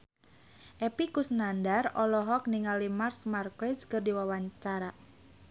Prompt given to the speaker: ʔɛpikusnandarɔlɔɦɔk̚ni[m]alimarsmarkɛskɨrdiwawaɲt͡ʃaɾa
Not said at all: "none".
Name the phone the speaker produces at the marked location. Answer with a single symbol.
ŋ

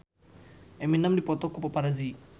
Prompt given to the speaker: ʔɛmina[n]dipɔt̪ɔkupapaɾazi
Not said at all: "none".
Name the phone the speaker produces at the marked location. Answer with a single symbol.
m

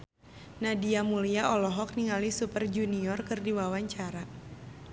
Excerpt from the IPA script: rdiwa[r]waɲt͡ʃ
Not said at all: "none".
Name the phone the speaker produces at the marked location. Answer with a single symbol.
none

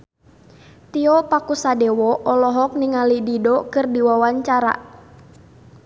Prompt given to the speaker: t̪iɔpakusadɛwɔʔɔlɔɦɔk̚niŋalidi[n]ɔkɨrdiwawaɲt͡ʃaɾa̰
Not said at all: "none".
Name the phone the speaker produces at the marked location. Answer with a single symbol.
d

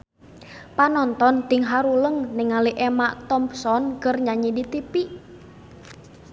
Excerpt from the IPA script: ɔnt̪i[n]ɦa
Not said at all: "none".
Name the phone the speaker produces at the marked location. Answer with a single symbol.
ŋ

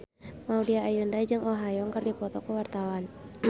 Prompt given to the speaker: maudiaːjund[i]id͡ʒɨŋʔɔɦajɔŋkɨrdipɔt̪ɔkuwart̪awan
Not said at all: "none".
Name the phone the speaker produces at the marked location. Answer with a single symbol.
a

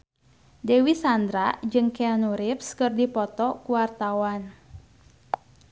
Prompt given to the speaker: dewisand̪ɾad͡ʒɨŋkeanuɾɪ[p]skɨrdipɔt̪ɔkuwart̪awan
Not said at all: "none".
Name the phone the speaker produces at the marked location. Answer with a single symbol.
p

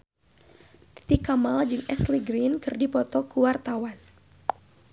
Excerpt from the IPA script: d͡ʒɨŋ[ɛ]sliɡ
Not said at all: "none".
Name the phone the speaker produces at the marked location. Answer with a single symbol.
ɛ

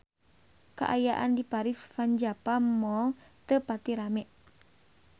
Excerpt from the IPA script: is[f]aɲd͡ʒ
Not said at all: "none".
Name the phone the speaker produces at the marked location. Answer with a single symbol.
f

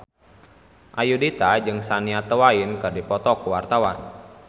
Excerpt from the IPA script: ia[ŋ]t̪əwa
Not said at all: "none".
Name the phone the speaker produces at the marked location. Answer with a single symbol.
none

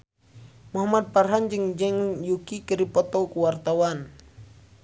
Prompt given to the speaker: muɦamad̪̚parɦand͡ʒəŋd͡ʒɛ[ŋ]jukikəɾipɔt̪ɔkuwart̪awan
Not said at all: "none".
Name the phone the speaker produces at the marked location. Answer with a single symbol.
ŋ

